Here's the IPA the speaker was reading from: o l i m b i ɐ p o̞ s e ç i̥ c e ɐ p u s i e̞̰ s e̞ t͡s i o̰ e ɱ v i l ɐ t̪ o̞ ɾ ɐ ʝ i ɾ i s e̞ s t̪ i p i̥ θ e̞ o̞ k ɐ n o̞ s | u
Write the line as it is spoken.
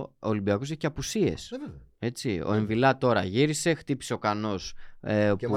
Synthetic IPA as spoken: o l i m b i ɐ k o̞ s e ç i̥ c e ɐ p u s i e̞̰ s e̞ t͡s i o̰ e ɱ v i l ɐ t̪ o̞ ɾ ɐ ʝ i ɾ i s e̞ x t̪ i p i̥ s e̞ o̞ k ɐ n o̞ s | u